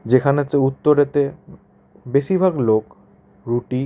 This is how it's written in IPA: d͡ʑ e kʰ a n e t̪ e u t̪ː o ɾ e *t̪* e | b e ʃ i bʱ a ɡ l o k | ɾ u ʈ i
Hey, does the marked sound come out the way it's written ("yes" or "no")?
yes